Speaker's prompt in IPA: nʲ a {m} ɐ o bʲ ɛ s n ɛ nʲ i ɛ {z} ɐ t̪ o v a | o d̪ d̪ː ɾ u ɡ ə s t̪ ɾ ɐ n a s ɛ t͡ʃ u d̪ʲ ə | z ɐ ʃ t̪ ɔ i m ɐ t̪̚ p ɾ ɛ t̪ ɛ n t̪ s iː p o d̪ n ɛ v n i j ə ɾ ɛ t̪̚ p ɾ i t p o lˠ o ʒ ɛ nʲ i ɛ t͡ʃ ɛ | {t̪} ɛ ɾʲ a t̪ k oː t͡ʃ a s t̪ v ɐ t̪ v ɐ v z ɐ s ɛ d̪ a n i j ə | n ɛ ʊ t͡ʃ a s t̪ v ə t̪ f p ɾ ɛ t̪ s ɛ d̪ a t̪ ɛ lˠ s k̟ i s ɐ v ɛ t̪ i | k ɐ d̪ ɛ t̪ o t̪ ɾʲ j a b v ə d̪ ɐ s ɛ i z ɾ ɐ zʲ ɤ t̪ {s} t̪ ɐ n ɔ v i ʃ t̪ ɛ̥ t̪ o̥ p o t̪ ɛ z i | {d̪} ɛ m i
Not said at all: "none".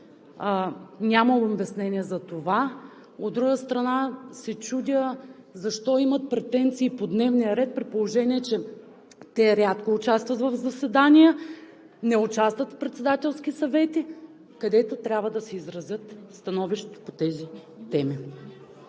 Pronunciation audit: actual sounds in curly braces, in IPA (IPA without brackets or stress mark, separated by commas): m, z, t̪, s, t̪